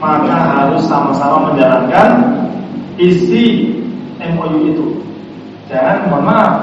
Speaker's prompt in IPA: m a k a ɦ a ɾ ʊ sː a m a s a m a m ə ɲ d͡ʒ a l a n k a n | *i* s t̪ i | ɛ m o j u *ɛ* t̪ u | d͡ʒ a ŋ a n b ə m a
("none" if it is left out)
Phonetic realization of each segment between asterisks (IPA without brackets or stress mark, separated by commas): i, i